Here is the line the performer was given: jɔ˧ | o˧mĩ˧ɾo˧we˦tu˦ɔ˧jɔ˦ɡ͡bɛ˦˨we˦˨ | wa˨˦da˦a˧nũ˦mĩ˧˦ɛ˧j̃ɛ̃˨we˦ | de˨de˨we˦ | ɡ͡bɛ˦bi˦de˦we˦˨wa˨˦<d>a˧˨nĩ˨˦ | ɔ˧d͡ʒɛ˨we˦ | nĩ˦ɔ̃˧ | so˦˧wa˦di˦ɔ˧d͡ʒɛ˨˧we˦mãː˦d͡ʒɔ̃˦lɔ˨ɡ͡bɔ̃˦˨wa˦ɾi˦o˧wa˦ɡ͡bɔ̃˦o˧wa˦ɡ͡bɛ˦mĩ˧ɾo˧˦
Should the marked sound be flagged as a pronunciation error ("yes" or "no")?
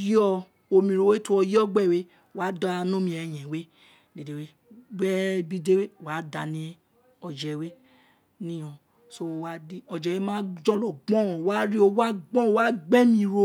no